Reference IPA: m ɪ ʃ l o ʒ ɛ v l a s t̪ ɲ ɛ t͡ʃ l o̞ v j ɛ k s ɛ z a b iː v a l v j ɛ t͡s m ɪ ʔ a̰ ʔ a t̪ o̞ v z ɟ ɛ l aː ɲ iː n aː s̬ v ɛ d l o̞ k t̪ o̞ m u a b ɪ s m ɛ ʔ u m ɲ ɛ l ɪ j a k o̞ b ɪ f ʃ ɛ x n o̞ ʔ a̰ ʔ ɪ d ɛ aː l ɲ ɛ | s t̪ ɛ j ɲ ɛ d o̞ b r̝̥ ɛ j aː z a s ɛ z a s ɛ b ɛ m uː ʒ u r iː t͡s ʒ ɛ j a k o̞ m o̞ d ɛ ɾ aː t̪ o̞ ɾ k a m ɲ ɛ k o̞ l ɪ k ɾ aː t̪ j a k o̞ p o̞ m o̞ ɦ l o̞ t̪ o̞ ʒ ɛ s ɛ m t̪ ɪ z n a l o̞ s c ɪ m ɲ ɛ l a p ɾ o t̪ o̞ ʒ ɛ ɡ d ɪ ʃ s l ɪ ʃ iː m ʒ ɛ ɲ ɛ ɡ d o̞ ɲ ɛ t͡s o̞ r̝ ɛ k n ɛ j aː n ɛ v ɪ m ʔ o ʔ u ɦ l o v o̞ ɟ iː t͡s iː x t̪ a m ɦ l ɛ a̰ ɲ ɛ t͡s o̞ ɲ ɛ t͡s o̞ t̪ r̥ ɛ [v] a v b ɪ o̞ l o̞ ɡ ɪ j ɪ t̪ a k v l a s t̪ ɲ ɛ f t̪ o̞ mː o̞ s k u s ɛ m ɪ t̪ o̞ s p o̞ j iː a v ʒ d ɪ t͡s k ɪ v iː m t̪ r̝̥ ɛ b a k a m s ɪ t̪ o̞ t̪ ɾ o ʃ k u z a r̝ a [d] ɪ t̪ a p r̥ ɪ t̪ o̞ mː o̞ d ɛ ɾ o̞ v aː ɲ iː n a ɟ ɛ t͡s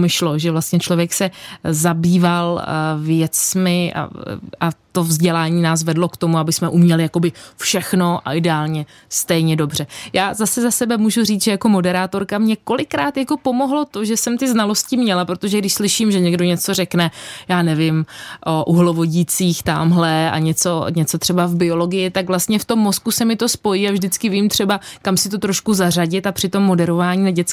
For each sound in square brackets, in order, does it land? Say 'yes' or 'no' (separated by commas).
no, no